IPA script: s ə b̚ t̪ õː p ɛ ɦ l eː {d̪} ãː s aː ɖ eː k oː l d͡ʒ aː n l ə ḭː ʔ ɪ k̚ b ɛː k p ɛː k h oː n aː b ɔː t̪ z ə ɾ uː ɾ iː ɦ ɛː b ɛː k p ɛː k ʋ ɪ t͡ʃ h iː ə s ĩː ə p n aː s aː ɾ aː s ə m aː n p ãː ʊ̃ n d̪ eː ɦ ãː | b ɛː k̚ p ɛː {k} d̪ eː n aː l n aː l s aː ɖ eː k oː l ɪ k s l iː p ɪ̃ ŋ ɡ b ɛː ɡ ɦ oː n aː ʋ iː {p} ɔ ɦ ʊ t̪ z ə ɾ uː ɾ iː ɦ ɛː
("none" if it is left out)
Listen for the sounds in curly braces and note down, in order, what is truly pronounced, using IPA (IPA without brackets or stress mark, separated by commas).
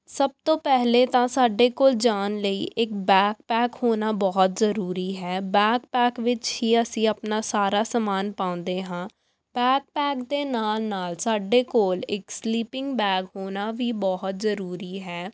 t̪, k, b